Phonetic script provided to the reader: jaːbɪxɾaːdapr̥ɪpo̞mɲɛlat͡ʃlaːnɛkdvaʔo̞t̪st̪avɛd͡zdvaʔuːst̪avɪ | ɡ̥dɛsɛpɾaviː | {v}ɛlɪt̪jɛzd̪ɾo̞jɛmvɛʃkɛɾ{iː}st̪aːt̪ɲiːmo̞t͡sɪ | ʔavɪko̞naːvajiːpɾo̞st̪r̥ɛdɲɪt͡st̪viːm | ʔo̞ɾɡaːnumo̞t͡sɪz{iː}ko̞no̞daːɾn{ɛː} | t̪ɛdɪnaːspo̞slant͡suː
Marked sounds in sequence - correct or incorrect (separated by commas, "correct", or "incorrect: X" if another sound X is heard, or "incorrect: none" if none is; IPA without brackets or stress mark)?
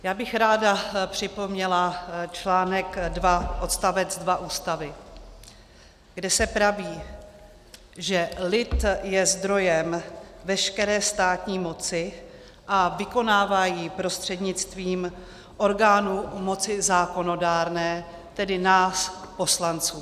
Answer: incorrect: ʒ, incorrect: ɛː, incorrect: aː, correct